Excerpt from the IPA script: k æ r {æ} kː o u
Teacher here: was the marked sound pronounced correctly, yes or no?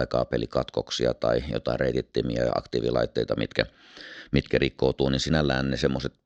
no